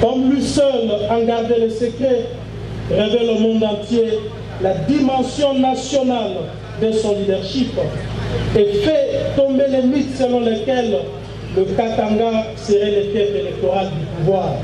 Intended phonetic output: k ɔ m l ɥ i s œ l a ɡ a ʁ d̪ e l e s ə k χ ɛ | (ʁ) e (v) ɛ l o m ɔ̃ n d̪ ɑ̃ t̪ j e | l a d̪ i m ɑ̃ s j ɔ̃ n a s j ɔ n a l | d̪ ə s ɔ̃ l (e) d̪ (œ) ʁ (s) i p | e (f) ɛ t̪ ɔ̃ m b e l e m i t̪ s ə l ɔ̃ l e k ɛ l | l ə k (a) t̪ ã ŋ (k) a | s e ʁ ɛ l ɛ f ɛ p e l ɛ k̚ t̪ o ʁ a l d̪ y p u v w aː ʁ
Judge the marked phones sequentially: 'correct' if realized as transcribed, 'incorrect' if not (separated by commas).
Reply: correct, correct, incorrect, incorrect, incorrect, correct, correct, incorrect